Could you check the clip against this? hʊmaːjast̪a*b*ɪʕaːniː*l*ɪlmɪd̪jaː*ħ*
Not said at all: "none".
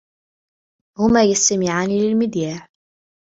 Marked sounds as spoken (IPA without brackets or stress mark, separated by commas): m, l, ħ